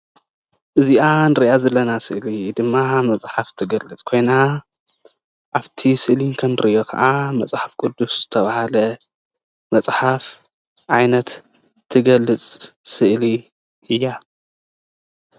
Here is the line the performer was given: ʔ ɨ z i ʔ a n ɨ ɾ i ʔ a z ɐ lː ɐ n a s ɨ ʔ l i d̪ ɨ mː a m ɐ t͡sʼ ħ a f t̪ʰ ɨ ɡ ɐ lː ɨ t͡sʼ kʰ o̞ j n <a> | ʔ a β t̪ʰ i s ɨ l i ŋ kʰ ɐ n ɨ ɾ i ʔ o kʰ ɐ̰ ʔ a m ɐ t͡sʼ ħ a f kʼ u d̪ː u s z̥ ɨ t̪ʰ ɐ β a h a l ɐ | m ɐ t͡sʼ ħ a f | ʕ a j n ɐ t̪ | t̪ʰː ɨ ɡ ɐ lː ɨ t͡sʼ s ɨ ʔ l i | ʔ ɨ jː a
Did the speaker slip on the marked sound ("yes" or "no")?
no